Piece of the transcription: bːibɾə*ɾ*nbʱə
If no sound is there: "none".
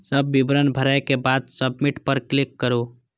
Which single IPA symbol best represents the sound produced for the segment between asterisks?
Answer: none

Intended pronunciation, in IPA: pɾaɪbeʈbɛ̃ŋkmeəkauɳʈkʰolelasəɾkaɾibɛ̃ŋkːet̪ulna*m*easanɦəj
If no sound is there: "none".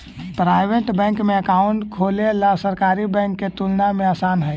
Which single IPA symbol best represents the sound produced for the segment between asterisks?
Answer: m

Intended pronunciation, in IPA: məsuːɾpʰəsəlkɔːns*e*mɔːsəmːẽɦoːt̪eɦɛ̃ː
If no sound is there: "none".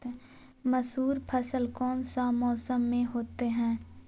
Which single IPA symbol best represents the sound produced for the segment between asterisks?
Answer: a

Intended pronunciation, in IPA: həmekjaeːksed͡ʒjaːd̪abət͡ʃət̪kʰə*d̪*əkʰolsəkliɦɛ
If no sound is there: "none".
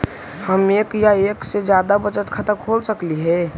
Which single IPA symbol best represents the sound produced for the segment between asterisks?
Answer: t̪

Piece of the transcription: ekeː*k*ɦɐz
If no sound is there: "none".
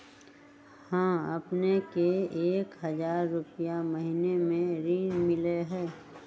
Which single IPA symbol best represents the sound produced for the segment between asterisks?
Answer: k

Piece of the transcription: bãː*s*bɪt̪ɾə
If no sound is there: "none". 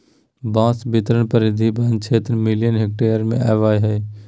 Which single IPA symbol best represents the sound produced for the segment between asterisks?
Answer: s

